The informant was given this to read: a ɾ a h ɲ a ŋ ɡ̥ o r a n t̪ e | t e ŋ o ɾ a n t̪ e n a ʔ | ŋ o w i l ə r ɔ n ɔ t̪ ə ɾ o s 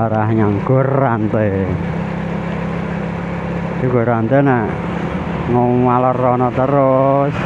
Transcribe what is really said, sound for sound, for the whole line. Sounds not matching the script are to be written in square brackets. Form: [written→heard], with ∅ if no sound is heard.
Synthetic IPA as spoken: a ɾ a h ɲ a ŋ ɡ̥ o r a n t̪ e | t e [ŋ→ɡ] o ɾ a n t̪ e n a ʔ | ŋ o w [i→a] l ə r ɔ n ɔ t̪ ə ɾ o s